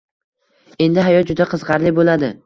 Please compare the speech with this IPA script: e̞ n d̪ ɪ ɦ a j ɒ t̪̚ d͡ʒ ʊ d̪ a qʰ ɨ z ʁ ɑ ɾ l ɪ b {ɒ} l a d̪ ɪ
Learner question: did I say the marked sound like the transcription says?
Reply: no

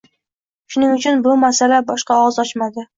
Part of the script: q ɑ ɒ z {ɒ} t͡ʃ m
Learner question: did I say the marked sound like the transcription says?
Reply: yes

